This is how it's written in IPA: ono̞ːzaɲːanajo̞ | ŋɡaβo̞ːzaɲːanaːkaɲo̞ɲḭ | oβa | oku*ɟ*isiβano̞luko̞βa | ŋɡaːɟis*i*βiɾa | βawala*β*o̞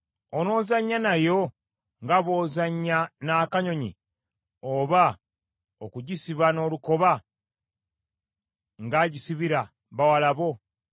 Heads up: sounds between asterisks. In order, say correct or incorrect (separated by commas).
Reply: correct, correct, correct